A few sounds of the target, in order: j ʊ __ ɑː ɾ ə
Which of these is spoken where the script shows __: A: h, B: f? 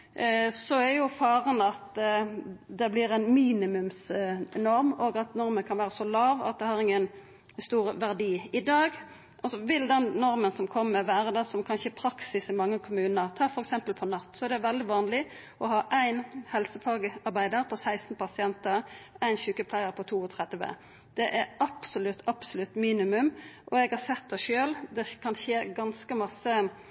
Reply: B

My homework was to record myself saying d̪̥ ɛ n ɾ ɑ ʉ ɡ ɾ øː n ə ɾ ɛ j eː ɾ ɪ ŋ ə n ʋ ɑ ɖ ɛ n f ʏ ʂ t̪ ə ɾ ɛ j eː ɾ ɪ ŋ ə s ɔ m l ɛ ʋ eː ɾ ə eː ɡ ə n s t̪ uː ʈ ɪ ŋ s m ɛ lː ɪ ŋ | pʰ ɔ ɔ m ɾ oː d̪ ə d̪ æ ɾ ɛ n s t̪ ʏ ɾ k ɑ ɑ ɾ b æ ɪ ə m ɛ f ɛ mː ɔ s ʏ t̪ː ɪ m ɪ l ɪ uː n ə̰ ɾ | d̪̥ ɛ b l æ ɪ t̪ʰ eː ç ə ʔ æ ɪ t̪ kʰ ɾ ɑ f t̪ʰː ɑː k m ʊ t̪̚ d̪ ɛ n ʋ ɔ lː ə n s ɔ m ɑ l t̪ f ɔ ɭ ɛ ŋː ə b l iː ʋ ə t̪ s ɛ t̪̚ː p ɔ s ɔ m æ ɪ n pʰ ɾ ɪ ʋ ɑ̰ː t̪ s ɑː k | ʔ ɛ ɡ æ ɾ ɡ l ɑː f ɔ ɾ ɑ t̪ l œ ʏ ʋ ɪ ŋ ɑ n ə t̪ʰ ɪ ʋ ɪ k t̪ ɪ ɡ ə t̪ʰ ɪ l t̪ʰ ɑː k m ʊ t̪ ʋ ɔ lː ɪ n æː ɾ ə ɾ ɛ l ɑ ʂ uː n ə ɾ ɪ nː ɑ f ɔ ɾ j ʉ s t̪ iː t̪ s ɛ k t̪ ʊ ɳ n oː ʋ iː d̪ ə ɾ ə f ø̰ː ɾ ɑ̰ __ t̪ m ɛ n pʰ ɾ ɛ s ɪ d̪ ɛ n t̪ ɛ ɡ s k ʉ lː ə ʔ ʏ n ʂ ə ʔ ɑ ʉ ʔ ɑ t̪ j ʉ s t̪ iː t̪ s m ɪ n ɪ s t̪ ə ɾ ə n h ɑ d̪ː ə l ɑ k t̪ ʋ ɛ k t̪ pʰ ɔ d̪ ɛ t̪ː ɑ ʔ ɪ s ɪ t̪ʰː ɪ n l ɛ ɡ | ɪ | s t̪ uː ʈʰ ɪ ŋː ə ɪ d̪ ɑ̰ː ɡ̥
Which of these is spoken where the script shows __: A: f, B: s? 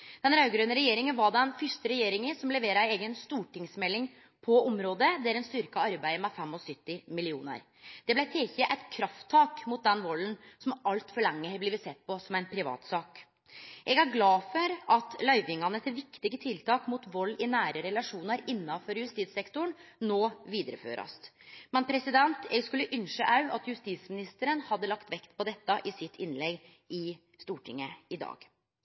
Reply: B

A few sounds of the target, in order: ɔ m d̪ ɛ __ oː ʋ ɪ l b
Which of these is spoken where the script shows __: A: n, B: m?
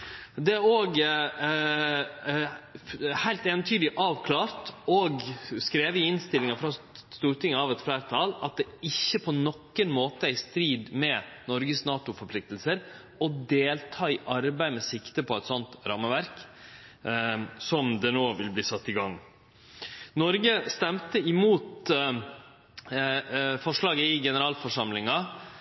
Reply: A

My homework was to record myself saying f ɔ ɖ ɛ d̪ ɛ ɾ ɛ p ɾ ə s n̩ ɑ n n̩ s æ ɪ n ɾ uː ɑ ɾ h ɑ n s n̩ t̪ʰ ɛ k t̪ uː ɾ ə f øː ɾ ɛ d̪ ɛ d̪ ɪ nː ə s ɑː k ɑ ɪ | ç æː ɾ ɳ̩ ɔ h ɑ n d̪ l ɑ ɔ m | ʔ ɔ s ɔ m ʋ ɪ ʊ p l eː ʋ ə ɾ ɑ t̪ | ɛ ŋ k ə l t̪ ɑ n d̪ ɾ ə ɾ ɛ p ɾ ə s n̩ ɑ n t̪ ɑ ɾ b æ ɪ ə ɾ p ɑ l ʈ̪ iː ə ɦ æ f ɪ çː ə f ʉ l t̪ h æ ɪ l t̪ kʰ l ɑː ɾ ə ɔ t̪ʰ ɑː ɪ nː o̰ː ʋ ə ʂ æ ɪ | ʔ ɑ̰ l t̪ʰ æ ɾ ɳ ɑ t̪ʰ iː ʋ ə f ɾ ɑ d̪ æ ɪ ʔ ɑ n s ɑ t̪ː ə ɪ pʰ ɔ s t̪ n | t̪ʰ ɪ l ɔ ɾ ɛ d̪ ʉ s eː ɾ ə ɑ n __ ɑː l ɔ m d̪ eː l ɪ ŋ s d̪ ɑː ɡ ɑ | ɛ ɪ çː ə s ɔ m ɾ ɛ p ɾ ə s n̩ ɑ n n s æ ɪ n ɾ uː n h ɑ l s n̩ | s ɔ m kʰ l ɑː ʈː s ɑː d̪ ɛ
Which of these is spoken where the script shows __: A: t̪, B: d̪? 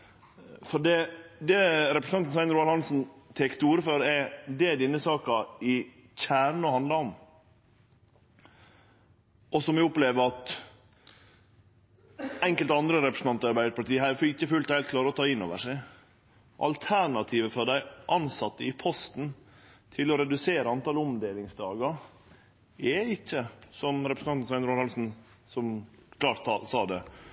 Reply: A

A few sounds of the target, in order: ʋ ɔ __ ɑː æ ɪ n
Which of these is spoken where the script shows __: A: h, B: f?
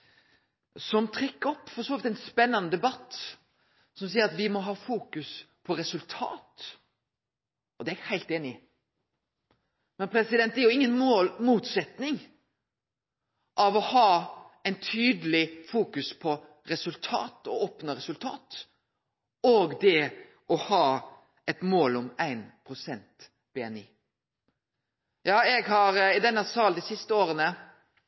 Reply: A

